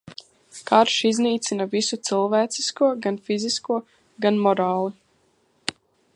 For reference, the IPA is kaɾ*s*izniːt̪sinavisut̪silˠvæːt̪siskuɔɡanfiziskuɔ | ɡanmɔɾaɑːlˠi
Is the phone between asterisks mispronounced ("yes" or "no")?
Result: yes